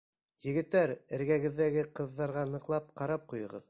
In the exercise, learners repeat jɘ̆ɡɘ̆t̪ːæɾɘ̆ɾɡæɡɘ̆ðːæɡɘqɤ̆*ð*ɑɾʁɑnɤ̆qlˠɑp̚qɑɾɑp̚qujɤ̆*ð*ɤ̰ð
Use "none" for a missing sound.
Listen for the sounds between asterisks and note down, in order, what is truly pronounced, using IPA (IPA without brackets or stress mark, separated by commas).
ðː, ʁ